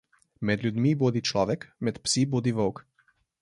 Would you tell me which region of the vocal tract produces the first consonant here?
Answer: lips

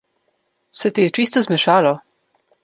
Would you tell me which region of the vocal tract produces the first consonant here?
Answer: tongue tip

